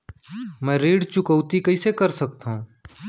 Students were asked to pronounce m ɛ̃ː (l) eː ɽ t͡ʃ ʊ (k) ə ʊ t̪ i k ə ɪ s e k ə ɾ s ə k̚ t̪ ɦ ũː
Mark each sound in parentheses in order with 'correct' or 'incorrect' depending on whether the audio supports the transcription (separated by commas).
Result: incorrect, correct